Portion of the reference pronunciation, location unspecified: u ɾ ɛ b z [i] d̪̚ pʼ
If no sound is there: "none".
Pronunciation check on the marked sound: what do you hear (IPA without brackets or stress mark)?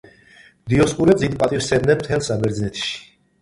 i